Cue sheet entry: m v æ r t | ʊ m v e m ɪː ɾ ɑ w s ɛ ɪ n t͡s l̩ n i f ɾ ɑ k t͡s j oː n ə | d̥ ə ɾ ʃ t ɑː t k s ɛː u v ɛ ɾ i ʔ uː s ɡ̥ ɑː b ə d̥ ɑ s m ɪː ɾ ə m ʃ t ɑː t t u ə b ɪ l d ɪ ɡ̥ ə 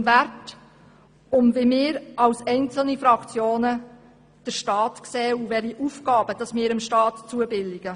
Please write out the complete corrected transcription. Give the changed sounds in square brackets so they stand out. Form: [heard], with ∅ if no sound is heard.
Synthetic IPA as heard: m v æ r t | ʊ m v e m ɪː ɾ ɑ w s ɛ ɪ n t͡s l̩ n i f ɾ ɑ k t͡s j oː n ə | d̥ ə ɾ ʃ t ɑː t k s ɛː u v ɛ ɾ i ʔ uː [f] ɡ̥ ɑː b ə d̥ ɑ s m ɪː ɾ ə m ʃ t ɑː t [t͡s] u ə b ɪ l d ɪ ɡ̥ ə

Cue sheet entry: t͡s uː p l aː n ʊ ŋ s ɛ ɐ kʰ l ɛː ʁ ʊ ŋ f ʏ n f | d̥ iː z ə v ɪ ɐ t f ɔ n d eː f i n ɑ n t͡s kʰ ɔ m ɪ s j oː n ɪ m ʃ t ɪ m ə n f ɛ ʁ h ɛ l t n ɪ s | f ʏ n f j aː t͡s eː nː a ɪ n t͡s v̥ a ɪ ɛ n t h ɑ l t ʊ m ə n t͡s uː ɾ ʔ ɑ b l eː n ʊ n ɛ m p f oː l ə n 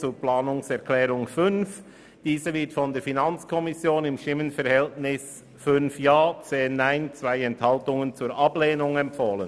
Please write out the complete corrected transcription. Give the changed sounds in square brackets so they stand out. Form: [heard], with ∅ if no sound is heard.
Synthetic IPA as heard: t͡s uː p l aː n ʊ ŋ s ɛ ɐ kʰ l ɛː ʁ ʊ ŋ f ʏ n f | d̥ iː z ə v ɪ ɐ t f ɔ n d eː f i n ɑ n t͡s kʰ ɔ m ɪ s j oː n ɪ m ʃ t ɪ m ə n f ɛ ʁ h ɛ l t n ɪ s | f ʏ n f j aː t͡s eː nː a ɪ n t͡s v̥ a ɪ ɛ n t h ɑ l t ʊ [ŋ] ə n t͡s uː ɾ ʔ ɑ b l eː n ʊ [ŋ] ɛ m p f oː l ə n

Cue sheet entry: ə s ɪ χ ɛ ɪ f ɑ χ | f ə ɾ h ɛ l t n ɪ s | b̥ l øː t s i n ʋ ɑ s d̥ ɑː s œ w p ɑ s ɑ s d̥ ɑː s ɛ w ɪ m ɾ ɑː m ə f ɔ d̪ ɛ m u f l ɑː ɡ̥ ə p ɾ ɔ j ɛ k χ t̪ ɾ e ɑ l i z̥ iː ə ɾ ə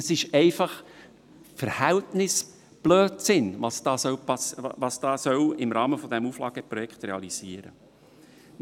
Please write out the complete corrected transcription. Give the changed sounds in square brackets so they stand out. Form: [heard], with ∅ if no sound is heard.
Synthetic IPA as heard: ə s ɪ [ʃ] ɛ ɪ f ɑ χ | f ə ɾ h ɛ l t n ɪ s | b̥ l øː t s [ɪ] n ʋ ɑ s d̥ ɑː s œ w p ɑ s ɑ s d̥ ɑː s [œ] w ɪ m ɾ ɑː m ə f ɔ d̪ ɛ m u f l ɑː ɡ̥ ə p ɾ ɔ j ɛ k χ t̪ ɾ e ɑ l i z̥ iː ə ɾ ə

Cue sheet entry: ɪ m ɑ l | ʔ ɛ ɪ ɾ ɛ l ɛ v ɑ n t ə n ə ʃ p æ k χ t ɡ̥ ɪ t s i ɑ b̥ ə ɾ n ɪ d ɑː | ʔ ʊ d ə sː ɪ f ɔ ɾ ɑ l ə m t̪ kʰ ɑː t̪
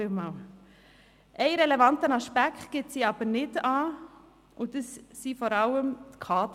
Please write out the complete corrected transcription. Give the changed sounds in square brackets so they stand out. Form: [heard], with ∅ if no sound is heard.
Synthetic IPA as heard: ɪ m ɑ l | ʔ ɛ ɪ ɾ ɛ l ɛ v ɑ n t ə n [ɑ] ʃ p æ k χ t ɡ̥ ɪ t s i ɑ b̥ ə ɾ n ɪ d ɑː | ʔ ʊ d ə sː [i] f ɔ ɾ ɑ l ə m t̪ kʰ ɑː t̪

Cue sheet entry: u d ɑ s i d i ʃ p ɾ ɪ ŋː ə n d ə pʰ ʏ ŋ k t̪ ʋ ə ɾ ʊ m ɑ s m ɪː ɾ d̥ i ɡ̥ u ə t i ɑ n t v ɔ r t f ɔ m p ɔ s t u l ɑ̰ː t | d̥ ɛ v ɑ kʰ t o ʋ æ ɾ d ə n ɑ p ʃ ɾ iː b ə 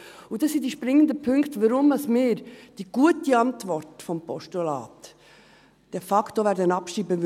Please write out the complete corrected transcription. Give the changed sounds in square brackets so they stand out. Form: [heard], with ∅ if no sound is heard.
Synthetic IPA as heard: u d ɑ s i d i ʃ p ɾ ɪ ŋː ə n d ə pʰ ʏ ŋ k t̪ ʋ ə ɾ ʊ m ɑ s m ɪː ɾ d̥ i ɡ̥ u ə t i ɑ n t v ɔ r t f ɔ m p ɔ [ʃ] t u l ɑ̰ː t | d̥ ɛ [f] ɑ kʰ t o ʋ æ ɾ d ə n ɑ p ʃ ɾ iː b ə

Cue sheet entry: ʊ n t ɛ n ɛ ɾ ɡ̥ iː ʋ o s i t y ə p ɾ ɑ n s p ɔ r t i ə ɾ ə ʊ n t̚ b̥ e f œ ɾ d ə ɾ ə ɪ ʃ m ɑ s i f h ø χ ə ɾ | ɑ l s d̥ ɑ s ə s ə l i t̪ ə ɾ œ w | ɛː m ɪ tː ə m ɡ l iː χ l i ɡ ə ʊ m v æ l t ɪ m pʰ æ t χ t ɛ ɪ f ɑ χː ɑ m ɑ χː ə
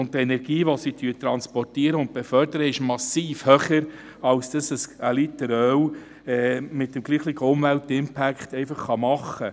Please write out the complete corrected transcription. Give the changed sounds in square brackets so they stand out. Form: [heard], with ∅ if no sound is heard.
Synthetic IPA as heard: ʊ n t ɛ n ɛ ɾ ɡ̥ iː ʋ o s i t y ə [t] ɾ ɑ n s p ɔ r t i ə ɾ ə ʊ n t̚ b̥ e f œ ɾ d ə ɾ ə ɪ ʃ m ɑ s [iː] f h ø χ ə ɾ | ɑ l s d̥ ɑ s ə s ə l i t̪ ə ɾ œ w | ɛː m ɪ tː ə m ɡ l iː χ l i ɡ ə ʊ m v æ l t ɪ m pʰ æ [k] χ t ɛ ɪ f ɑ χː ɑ m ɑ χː ə

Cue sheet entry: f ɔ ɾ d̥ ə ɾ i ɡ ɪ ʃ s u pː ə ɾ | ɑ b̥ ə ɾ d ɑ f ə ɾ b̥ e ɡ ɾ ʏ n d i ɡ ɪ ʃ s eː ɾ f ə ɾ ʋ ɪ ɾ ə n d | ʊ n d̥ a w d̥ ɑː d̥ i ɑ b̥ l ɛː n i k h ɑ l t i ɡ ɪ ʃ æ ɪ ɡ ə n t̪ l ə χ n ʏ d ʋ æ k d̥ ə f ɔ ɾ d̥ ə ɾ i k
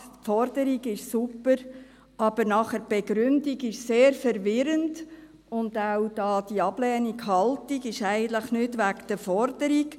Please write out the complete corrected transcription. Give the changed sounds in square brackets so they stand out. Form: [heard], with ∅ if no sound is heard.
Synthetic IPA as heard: f ɔ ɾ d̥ ə ɾ i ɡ ɪ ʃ s u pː ə ɾ | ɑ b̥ ə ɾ [n] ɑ [χ] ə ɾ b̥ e ɡ ɾ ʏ n d i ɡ ɪ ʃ s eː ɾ f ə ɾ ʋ ɪ ɾ ə n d | ʊ n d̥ a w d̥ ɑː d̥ i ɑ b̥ l ɛː n i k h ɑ l t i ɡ ɪ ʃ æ ɪ ɡ ə n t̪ l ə χ n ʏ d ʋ æ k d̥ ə f ɔ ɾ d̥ ə ɾ i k

